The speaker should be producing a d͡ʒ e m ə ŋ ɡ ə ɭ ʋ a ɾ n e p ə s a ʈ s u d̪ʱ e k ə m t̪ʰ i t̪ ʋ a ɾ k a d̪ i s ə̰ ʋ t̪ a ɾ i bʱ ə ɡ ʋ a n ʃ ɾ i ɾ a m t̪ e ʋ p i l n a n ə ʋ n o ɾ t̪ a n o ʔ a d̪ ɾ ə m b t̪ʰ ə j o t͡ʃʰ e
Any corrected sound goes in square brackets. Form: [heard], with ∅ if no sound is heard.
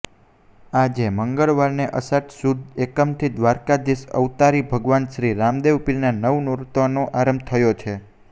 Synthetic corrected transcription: a d͡ʒ e m ə ŋ ɡ ə ɭ ʋ a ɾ n e [ʔ] ə s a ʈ s u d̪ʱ e k ə m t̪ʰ i [d̪] ʋ a ɾ k a d̪ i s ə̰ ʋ t̪ a ɾ i bʱ ə ɡ ʋ a n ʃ ɾ i ɾ a m [d̪] e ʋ p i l n a n ə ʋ n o ɾ t̪ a n o ʔ a [∅] ɾ ə m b t̪ʰ ə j o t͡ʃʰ e